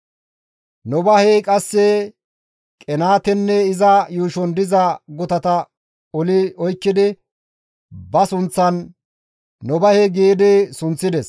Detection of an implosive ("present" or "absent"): absent